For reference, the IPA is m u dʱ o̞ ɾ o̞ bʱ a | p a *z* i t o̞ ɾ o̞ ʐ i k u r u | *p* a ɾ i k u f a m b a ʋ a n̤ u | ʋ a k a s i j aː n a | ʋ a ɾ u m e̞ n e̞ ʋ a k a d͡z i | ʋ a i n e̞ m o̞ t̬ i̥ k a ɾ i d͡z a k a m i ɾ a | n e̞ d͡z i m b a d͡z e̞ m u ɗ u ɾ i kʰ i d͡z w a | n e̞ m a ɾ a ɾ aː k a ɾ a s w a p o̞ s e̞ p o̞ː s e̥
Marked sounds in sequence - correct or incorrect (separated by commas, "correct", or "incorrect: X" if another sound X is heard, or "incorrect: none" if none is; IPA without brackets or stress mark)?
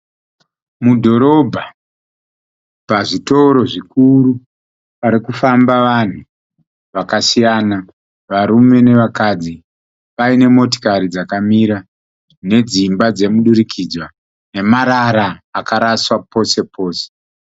incorrect: ʐ, correct